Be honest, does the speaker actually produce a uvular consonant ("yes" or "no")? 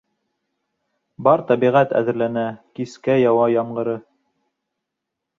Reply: yes